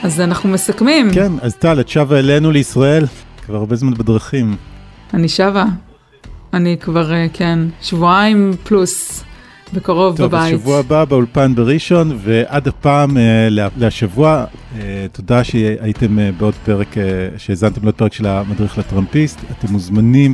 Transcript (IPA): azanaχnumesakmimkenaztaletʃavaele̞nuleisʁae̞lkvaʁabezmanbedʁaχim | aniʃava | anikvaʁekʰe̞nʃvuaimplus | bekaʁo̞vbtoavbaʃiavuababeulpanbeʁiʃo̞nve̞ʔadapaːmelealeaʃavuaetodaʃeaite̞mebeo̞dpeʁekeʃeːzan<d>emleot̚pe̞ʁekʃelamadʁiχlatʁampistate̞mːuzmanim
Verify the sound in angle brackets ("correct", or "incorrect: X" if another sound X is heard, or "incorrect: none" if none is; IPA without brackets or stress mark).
incorrect: t